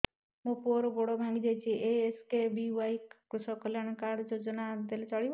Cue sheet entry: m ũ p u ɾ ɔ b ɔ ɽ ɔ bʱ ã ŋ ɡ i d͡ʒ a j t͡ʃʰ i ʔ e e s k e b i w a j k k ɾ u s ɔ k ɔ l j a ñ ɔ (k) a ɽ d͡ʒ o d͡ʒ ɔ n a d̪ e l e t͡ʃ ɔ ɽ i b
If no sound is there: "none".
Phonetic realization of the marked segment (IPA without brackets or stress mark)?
k